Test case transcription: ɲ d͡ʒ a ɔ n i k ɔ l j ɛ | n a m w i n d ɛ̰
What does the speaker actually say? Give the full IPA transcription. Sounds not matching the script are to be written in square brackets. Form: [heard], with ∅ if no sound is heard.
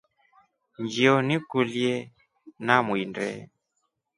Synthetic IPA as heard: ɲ d͡ʒ [i] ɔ n i k [u] l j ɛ | n a m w i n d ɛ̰